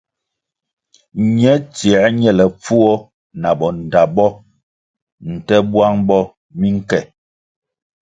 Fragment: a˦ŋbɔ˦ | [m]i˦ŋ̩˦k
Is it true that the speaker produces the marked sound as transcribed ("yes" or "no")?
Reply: yes